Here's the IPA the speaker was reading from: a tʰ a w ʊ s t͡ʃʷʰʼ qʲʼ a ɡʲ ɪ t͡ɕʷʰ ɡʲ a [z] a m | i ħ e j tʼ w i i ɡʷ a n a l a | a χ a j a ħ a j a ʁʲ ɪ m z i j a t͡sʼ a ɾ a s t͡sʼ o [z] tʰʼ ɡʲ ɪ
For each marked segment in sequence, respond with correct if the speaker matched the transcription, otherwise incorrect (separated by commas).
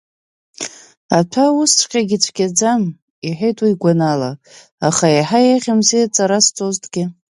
incorrect, correct